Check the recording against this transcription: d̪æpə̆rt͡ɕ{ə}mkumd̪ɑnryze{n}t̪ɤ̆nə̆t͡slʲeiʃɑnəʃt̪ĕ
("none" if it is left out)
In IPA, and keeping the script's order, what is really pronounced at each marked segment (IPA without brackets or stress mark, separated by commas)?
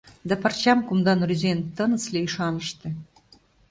ɑ, n